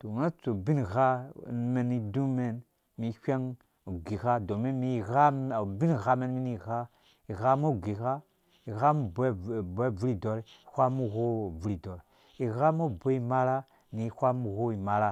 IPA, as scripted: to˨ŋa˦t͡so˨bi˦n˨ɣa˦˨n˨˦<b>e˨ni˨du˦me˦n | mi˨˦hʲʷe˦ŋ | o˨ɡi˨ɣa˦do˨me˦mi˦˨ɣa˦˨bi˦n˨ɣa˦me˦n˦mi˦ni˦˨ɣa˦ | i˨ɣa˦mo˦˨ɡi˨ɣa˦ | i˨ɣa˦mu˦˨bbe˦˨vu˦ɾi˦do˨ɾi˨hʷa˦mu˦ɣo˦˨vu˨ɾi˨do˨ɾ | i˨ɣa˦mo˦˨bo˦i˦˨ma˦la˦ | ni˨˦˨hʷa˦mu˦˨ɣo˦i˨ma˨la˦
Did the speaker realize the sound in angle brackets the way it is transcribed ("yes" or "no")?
no